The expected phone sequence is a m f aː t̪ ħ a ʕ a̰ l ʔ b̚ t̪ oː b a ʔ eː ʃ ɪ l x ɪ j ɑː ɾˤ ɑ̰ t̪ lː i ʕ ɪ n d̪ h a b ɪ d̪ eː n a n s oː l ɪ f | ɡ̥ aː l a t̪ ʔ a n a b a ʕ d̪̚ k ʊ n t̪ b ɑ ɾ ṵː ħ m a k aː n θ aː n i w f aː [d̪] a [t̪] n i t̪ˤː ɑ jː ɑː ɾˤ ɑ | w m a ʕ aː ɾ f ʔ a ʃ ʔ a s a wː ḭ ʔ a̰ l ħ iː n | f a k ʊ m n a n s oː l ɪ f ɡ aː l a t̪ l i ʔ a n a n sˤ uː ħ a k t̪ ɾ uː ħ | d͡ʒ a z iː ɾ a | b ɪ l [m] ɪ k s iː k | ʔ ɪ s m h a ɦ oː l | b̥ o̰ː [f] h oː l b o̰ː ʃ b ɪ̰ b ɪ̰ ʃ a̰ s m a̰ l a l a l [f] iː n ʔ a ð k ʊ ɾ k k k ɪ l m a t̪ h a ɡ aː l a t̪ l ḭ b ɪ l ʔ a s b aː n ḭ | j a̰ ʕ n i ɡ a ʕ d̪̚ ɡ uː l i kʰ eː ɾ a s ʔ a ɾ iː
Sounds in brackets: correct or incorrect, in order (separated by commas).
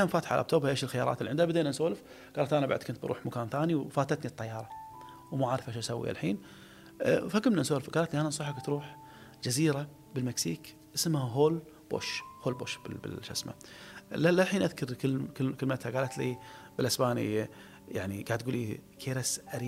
incorrect, correct, correct, incorrect, incorrect